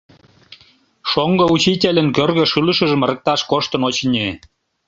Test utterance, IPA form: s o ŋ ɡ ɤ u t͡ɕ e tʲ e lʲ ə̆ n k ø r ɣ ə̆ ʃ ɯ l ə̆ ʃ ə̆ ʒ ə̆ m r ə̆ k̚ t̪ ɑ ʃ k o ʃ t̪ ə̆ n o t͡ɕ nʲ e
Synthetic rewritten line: ʃ o ŋ ɡ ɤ u t͡ɕ i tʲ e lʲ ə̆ n k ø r ɣ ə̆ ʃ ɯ l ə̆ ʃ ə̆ ʒ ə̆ m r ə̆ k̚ t̪ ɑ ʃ k o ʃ t̪ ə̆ n o t͡ɕ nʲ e